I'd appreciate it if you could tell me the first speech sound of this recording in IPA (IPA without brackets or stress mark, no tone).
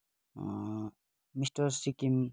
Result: m